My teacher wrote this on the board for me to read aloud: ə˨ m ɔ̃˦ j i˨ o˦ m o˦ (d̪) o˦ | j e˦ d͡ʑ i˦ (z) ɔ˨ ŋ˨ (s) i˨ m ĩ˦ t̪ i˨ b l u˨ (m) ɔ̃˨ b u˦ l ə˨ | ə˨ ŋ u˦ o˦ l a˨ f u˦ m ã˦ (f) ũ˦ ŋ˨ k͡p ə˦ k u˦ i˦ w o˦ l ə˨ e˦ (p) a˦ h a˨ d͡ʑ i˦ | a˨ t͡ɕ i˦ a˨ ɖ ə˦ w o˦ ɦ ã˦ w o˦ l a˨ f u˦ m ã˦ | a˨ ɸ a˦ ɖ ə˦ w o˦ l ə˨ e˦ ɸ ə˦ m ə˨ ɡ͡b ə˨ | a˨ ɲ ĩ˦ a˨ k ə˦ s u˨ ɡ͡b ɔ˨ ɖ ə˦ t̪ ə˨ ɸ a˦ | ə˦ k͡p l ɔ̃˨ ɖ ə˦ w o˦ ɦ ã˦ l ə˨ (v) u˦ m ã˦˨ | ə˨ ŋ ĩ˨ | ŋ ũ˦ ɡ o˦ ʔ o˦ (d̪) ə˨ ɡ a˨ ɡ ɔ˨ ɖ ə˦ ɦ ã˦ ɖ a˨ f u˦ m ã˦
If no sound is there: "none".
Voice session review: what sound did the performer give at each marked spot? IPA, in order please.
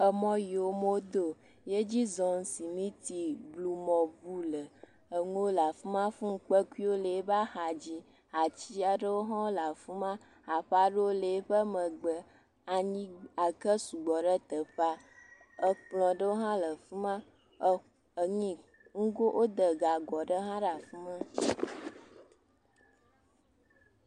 d̪, z, s, m, f, b, f, d̪

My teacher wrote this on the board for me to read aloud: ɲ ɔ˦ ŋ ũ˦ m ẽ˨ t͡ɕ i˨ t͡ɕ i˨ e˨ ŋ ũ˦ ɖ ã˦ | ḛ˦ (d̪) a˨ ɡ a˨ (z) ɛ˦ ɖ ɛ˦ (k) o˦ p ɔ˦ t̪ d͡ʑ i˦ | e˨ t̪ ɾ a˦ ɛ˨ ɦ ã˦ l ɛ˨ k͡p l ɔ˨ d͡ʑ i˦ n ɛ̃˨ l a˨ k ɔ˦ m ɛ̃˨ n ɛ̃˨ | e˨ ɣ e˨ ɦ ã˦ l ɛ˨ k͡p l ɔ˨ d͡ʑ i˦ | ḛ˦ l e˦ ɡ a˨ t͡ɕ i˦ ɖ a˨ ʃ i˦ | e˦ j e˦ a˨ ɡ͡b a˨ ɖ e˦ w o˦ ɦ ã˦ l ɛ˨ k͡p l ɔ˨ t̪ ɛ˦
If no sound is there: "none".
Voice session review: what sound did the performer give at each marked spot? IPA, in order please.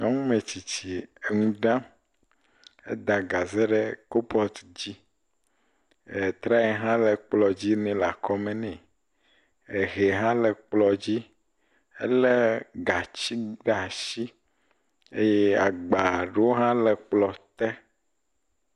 d̪, z, k

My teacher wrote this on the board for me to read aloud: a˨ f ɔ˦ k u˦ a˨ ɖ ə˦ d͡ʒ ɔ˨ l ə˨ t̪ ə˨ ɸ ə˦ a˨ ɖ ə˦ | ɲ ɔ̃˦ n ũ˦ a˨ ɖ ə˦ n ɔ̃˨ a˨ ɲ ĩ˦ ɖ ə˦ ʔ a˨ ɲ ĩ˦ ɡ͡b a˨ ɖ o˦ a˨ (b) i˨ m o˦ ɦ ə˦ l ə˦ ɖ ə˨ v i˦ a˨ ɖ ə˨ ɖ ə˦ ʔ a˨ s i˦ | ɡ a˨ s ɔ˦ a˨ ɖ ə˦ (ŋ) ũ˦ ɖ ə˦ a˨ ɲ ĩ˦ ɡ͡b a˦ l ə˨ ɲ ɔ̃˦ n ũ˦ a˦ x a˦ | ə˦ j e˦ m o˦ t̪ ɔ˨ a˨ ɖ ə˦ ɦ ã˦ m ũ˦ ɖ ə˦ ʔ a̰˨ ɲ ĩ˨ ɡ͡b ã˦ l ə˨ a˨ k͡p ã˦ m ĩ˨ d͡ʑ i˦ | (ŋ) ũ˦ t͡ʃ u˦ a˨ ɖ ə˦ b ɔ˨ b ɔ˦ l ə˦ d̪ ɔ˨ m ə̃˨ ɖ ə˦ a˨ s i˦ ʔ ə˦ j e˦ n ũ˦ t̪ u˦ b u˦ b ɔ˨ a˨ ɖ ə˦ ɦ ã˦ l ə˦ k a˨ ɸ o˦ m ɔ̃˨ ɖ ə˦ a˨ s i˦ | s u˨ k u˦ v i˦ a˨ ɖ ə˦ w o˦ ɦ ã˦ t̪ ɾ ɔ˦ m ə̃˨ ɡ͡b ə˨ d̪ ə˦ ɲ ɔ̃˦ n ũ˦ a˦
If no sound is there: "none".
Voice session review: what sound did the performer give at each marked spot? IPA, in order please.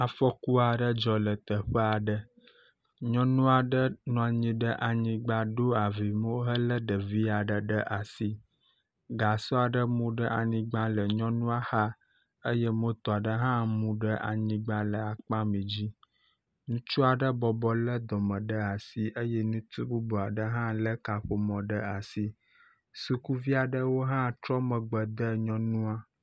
v, m, n

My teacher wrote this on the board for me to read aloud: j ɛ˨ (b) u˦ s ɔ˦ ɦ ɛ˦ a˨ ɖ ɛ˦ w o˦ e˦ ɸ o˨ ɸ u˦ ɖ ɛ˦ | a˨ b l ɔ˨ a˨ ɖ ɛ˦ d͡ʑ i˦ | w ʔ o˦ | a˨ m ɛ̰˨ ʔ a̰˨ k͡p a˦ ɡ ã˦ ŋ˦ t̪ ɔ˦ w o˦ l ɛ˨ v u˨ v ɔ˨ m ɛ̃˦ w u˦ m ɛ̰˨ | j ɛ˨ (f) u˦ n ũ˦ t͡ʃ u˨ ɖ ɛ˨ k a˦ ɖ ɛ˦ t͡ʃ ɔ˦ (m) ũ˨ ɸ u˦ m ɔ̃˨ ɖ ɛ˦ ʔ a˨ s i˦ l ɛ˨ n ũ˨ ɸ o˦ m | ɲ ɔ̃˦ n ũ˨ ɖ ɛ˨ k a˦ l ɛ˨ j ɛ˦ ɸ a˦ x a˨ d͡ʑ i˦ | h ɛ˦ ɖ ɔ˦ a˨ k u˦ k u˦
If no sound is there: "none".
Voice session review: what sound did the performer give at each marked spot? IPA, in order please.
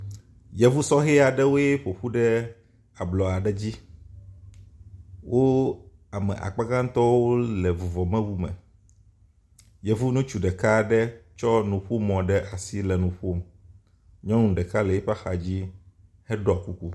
v, v, n

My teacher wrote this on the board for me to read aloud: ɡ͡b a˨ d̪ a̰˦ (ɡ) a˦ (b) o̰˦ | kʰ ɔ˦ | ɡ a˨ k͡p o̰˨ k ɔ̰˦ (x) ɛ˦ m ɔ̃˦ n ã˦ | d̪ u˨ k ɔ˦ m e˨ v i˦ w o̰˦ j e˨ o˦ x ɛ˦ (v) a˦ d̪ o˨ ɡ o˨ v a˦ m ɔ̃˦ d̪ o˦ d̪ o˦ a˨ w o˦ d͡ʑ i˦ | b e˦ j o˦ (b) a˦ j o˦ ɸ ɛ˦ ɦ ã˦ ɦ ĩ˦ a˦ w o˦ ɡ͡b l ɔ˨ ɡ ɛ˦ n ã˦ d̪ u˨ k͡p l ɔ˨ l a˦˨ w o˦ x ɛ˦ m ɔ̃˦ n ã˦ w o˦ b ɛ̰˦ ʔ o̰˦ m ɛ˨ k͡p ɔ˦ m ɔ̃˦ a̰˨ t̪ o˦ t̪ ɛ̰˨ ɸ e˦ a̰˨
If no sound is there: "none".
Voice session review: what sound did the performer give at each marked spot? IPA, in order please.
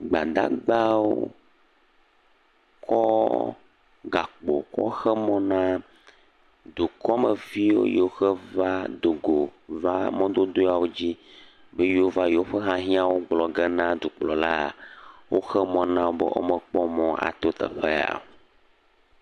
ɡ͡b, w, x, v, v

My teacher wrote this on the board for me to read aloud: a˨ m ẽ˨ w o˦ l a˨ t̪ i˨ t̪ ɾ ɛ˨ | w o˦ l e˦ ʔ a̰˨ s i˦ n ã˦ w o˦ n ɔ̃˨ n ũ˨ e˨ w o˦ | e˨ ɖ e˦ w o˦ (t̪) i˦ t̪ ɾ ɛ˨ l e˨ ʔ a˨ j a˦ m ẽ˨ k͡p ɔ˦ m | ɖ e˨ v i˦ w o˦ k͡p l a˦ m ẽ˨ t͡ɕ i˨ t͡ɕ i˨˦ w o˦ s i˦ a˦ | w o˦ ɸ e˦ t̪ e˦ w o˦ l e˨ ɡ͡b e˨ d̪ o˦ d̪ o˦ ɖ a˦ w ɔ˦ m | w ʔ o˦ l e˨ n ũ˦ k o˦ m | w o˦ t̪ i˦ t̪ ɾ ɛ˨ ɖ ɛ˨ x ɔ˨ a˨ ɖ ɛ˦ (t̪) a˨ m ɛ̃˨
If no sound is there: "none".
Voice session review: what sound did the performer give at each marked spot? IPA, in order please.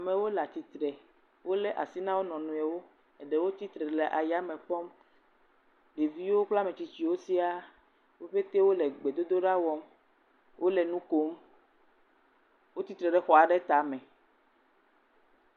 t̪, t̪

